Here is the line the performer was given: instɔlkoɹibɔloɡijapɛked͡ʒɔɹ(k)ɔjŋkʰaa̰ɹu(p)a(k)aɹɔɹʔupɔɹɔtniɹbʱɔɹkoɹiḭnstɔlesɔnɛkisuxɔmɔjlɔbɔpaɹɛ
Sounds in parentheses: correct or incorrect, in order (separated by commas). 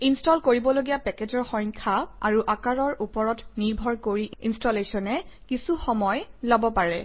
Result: incorrect, incorrect, correct